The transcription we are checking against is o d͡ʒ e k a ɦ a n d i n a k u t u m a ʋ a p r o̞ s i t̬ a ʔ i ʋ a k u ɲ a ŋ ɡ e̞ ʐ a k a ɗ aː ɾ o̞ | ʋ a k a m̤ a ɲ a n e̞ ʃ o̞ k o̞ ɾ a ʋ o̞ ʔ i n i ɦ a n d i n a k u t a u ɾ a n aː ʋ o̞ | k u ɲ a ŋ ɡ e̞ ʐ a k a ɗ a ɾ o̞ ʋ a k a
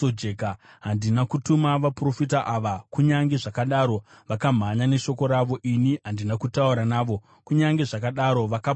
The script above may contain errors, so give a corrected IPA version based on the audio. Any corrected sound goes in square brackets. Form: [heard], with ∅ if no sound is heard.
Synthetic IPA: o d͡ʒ e k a ɦ a n d i n a k u t u m a ʋ a p r o̞ [f] i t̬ a ʔ [a] ʋ a k u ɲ a ŋ ɡ e̞ ʐ a k a ɗ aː ɾ o̞ | ʋ a k a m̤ a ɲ a n e̞ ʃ o̞ k o̞ ɾ a ʋ o̞ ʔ i n i ɦ a n d i n a k u t a u ɾ a n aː ʋ o̞ | k u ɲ a ŋ ɡ e̞ ʐ a k a ɗ a ɾ o̞ ʋ a k a